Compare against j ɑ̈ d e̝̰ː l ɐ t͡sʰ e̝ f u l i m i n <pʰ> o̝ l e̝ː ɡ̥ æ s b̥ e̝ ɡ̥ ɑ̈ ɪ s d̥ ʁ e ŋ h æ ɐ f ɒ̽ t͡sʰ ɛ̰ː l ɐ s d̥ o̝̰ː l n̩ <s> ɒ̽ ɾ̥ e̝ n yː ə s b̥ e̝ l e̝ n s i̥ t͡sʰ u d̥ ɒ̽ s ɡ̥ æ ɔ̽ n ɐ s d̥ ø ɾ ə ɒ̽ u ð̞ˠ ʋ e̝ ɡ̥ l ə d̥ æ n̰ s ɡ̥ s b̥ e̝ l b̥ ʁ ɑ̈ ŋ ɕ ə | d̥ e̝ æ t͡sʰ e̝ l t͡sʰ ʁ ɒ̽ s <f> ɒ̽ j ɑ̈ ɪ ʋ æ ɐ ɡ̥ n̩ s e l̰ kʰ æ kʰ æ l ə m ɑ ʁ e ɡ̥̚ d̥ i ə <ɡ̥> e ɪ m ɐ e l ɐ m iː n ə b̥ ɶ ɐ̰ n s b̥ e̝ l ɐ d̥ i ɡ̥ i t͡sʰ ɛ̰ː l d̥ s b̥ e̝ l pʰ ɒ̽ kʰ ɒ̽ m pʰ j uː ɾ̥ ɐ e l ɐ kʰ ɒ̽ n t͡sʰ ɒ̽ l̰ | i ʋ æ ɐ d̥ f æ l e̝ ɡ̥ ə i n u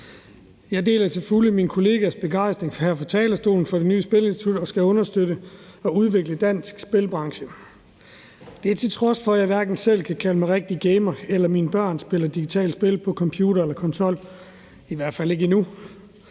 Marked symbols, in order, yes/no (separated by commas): no, no, yes, yes